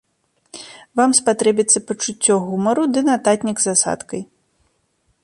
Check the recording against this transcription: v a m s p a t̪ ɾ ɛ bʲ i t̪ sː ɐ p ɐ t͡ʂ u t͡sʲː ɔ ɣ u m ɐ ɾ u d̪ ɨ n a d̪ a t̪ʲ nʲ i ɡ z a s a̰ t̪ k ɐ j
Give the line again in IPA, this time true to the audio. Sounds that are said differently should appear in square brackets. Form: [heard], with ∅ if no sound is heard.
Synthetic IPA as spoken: v a m s p a t̪ ɾ ɛ bʲ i t̪ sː ɐ p ɐ t͡ʂ u t͡sʲː ɔ ɣ u m ɐ ɾ u d̪ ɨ n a [t̪] a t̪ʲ nʲ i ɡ z a s a̰ t̪ k ɐ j